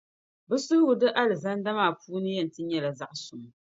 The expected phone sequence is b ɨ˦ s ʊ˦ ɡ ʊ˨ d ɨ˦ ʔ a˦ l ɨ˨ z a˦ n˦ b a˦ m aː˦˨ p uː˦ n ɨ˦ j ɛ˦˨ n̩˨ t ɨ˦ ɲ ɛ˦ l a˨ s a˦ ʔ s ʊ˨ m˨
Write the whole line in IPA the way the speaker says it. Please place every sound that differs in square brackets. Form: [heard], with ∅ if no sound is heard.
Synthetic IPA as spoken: b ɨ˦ s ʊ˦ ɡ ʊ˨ d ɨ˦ ʔ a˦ l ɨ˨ z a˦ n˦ [d] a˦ m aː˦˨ p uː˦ n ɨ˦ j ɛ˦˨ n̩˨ t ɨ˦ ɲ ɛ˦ l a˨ [z] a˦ ʔ s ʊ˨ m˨